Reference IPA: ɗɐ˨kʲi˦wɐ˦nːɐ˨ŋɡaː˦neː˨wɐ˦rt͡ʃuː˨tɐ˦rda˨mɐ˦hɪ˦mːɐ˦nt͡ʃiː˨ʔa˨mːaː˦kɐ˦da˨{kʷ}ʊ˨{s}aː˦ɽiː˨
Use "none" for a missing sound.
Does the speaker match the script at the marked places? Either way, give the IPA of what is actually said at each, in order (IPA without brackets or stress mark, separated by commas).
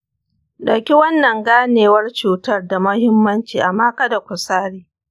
kʷ, s